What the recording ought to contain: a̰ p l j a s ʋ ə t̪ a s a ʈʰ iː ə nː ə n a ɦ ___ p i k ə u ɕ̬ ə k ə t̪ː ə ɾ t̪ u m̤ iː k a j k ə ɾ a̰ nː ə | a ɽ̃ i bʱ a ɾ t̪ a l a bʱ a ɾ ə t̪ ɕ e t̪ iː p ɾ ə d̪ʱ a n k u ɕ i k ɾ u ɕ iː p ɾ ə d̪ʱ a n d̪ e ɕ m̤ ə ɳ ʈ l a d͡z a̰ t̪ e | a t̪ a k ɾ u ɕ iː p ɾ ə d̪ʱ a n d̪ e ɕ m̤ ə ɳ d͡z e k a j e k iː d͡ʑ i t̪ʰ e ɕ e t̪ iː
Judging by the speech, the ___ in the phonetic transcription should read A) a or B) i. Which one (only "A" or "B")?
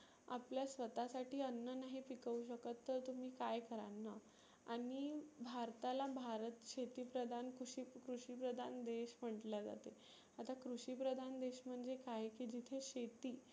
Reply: B